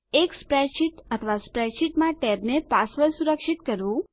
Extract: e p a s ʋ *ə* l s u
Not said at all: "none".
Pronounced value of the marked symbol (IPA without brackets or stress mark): ə